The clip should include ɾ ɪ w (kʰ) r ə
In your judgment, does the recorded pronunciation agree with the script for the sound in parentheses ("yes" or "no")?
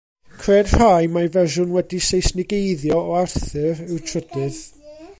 no